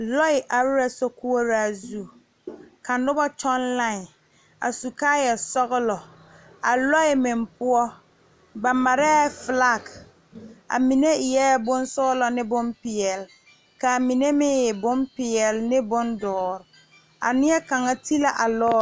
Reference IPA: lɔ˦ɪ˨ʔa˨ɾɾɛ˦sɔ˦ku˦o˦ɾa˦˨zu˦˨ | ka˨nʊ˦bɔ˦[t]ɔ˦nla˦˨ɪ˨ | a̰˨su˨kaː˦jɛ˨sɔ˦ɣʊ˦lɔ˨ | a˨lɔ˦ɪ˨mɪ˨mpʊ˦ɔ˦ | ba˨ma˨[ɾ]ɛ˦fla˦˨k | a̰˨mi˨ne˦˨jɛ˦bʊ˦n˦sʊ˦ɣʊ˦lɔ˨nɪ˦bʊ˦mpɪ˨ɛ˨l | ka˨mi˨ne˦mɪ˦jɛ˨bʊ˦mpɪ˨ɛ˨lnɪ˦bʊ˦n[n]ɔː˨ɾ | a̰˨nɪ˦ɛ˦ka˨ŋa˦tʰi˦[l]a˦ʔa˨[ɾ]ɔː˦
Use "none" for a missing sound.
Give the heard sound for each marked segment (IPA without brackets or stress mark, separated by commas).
t͡ʃ, ɾ, d, l, l